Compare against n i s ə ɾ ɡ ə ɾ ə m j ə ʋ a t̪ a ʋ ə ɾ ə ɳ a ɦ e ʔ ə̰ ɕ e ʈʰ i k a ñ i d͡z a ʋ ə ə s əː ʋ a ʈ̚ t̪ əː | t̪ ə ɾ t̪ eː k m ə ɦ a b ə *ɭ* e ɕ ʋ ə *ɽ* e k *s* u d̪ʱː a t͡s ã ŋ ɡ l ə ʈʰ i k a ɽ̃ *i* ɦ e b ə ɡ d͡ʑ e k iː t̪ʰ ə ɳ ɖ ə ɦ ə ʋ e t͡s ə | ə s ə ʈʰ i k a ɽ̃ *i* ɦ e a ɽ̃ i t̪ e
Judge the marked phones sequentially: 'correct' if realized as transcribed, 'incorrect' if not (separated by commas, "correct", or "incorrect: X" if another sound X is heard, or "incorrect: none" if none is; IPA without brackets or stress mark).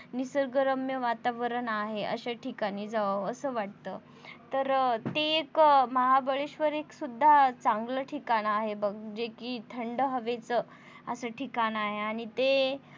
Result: correct, incorrect: ɾ, correct, incorrect: a, incorrect: a